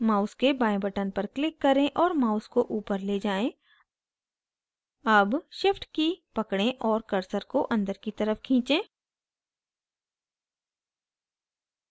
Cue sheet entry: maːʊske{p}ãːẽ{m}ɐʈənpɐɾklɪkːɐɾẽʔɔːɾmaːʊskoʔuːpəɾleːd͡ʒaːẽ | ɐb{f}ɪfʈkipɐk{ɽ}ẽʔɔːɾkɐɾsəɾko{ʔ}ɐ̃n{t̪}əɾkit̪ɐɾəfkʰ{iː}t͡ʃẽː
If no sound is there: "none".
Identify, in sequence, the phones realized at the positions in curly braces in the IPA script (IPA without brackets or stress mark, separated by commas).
b, b, ʃ, ɽ, ʔ, d̪, ĩː